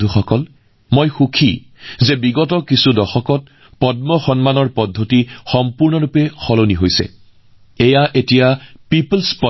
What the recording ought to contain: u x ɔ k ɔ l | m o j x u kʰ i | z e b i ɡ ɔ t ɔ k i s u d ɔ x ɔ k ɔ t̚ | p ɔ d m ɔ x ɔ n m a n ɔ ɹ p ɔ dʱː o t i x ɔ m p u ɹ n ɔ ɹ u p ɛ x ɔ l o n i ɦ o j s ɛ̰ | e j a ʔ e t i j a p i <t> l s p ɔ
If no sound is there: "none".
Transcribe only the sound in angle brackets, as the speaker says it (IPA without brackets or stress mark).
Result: p